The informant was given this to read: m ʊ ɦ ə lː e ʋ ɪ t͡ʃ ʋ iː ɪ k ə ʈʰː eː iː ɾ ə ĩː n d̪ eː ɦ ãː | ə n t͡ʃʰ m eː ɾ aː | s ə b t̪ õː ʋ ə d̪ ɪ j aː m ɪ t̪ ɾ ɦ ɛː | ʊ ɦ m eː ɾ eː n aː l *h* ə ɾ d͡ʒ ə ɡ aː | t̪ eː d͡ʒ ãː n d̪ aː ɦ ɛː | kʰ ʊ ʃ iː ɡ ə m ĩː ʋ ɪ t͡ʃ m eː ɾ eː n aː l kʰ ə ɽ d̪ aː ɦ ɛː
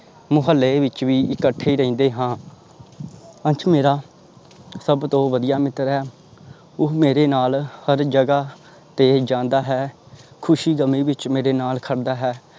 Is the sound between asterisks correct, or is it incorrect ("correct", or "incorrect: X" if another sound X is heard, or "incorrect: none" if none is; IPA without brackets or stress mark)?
correct